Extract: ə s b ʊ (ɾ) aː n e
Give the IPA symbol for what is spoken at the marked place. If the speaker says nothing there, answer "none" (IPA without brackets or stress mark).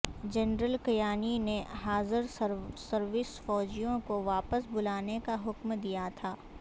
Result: l